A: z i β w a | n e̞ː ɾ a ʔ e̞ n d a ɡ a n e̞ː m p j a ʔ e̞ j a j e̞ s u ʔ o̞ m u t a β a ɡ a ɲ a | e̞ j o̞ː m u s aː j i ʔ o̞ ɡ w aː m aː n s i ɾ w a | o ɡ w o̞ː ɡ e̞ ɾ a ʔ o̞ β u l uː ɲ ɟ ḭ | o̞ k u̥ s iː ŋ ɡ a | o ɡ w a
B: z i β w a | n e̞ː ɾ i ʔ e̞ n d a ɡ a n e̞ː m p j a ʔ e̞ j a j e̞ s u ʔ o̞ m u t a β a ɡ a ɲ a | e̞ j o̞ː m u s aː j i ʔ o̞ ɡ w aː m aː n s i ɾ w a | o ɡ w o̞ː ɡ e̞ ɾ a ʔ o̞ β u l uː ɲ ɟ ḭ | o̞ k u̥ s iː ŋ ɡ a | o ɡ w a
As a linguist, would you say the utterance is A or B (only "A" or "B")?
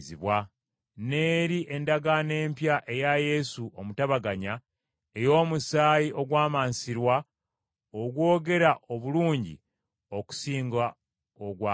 B